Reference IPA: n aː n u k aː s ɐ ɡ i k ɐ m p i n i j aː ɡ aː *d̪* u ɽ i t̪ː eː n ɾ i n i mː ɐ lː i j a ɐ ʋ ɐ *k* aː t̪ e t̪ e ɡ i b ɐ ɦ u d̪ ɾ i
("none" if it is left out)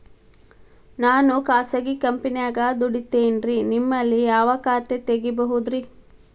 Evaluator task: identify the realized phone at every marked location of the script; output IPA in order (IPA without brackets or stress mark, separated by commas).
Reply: d̪, k